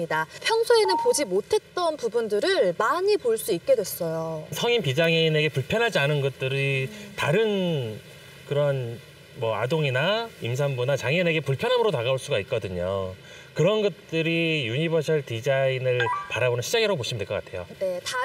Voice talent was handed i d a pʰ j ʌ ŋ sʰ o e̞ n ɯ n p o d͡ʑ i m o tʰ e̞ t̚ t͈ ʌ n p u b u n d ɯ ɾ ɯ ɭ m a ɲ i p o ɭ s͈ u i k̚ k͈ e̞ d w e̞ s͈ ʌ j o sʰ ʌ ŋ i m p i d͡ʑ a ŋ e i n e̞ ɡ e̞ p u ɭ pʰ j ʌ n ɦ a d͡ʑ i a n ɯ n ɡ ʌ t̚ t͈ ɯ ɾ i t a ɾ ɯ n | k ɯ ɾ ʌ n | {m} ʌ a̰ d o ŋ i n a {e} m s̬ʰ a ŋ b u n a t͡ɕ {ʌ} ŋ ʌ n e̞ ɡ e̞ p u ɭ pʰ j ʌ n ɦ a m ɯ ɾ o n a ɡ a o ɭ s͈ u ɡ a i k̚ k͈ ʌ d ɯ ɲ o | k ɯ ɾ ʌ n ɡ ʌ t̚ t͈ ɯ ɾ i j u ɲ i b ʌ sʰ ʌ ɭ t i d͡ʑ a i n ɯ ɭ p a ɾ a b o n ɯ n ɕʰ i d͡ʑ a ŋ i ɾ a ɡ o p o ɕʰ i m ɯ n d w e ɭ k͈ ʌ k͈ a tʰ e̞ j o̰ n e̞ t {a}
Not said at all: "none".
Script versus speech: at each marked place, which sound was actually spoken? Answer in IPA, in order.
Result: m, i, a, a

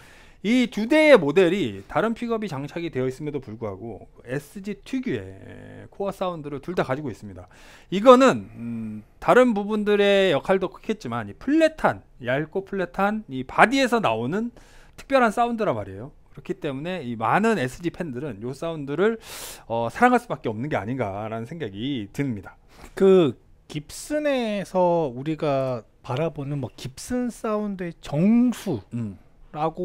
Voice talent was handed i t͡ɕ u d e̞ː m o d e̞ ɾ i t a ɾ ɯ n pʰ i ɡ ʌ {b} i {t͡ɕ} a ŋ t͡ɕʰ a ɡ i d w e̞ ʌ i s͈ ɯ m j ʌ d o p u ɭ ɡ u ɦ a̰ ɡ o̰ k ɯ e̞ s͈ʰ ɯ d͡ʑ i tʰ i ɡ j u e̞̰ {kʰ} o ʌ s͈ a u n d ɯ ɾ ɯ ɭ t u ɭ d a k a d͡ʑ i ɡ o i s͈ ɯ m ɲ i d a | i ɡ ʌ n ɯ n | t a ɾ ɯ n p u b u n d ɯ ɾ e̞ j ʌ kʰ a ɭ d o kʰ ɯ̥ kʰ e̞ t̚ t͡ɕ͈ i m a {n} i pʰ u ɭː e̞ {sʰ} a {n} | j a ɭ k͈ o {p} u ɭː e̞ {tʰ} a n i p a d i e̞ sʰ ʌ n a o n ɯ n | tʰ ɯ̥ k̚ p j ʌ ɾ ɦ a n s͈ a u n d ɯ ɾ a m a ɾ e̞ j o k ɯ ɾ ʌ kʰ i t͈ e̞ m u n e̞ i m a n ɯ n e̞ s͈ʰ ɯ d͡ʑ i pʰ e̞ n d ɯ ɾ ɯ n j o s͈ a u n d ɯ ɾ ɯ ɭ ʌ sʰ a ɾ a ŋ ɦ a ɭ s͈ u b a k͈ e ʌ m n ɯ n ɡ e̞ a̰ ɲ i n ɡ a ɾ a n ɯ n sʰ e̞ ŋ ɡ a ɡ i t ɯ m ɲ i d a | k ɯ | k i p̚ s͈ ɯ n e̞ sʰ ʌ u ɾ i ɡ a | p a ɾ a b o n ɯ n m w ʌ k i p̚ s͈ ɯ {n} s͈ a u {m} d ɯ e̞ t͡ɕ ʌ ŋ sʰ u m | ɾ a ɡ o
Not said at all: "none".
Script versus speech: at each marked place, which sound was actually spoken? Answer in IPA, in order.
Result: b, t͡ɕ, kʰ, n, tʰ, n, pʰ, tʰ, n, n

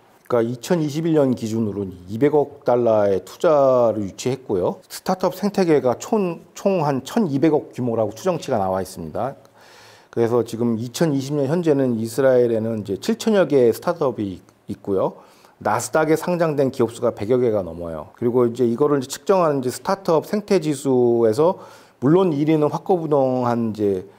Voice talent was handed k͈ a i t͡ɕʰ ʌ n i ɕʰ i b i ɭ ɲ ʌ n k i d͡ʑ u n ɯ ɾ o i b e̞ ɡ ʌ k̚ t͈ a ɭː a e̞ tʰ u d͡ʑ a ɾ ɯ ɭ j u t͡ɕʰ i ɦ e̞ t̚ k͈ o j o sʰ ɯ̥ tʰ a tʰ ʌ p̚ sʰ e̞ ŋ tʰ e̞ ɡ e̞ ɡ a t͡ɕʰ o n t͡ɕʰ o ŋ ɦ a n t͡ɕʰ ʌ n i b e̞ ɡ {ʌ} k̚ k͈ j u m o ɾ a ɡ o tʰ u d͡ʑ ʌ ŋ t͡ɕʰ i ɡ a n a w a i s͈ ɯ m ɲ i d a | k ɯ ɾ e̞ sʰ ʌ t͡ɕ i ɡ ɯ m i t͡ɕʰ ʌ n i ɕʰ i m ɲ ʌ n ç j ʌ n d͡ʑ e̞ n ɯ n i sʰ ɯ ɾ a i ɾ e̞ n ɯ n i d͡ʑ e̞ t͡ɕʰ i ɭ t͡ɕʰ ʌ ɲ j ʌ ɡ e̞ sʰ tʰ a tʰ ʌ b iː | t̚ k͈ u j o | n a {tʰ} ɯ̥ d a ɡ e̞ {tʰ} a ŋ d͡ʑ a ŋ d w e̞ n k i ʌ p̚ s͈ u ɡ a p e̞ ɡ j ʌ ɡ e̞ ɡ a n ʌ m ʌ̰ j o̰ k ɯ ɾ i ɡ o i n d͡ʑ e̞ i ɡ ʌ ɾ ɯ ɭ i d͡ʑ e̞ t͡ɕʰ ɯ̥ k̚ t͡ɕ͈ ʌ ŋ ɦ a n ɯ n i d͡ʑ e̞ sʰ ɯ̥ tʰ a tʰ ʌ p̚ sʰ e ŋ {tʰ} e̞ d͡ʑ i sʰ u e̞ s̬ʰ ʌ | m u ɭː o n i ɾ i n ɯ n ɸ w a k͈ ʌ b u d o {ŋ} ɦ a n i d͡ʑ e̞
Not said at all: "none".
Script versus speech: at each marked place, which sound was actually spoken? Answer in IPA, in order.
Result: ʌ, sʰ, sʰ, tʰ, ŋ

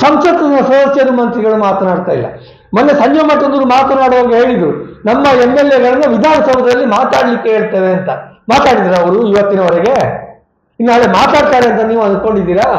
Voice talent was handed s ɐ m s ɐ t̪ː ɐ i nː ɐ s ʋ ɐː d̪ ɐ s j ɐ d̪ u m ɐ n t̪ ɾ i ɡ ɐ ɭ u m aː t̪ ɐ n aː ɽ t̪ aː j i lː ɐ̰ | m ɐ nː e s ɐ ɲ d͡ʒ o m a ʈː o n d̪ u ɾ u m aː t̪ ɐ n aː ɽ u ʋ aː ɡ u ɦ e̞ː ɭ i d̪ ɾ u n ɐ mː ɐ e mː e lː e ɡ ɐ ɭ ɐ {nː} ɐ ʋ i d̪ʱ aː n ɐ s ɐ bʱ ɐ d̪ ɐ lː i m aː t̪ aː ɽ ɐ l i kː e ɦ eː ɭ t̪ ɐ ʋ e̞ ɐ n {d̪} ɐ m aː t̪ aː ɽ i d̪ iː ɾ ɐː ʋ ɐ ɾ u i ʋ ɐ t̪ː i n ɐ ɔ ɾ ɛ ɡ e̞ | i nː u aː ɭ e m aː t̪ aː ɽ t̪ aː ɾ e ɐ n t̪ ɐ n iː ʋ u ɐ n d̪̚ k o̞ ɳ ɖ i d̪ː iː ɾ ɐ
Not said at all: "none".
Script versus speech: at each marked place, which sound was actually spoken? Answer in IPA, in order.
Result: nː, t̪

